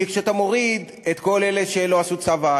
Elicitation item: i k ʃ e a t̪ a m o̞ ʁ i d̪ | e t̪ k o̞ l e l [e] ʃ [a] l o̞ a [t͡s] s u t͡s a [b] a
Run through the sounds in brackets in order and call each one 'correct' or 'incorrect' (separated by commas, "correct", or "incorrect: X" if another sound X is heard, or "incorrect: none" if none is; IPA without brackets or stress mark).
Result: correct, incorrect: e, incorrect: none, incorrect: v